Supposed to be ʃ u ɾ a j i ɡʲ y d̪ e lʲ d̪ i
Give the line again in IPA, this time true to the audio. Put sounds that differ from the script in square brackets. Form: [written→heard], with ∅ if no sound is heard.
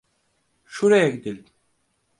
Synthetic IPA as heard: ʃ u ɾ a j [i→a] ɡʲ [y→i] d̪ [e→i] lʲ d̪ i